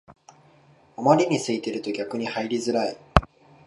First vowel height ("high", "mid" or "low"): mid